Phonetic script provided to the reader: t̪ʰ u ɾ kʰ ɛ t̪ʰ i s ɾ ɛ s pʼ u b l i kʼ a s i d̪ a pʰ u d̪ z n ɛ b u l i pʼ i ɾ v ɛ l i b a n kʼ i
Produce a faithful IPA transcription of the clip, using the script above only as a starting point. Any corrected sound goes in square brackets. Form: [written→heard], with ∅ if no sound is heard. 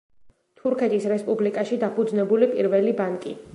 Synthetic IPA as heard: t̪ʰ u ɾ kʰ ɛ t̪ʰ i s ɾ ɛ s pʼ u b l i kʼ a [s→ʃ] i d̪ a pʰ u d̪ z n ɛ b u l i pʼ i ɾ v ɛ l i b a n kʼ i